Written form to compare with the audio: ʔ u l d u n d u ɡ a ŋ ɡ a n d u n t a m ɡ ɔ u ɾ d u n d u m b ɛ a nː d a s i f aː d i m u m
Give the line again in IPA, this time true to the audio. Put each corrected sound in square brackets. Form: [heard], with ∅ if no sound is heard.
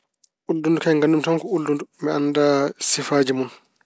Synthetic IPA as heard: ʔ u l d u n d u [k] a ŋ ɡ a n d u [m] t a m [k] ɔ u [l] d u n d u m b ɛ a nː d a s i f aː [d͡ʒ] i m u [n]